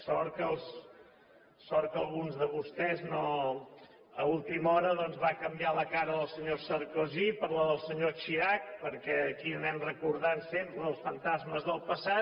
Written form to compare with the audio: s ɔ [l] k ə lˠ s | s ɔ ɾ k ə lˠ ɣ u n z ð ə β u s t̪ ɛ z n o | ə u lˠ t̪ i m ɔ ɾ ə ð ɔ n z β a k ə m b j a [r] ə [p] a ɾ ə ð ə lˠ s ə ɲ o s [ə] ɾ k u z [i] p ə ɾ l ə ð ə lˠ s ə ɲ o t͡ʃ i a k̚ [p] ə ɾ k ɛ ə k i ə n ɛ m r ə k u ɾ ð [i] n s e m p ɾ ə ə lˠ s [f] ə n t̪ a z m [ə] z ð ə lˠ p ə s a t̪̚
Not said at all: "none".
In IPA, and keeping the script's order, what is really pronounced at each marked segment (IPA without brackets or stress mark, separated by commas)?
ɾ, l, k, ə, i, p, a, f, ə